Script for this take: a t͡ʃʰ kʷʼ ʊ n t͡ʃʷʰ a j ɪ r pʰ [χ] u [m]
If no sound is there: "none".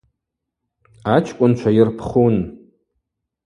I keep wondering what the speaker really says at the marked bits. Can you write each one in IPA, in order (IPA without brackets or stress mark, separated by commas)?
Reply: χ, n